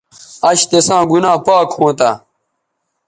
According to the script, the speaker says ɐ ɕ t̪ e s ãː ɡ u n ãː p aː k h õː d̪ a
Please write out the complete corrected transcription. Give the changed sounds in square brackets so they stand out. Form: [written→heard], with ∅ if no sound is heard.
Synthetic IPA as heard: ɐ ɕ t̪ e s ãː ɡ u n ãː p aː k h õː [d̪→t̪] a